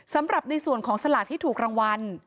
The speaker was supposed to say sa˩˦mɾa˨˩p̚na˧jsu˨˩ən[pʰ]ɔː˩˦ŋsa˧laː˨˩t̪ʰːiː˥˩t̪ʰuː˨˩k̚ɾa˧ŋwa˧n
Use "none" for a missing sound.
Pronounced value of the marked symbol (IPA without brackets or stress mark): kʰ